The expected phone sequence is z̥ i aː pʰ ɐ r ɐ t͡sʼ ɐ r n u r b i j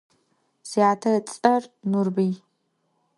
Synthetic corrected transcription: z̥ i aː tʰ ɐ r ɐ t͡sʼ ɐ r n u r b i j

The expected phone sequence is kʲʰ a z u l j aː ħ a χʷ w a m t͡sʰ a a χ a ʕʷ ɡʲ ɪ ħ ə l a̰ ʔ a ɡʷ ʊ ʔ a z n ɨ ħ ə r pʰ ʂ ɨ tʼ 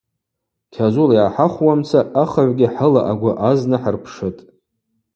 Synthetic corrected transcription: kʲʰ a z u l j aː ħ a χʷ w a m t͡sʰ a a χ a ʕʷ ɡʲ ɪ ħ ə l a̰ ʔ a ɡʷ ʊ ʔ a z n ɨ ħ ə r pʰ ʂ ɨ tʼ

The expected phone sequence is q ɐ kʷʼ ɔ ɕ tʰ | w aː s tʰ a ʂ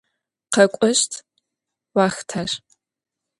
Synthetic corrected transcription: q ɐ kʷʼ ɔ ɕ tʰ | w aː x tʰ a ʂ

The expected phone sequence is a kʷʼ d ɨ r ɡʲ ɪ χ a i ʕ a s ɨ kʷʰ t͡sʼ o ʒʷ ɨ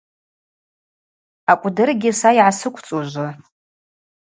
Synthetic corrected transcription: a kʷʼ d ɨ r ɡʲ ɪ s a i ʕ a s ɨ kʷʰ t͡sʼ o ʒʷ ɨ

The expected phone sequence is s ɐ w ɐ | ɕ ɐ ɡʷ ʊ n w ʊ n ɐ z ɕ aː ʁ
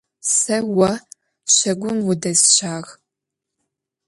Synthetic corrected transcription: s ɐ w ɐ | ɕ ɐ ɡʷ ʊ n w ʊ d ɐ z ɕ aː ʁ

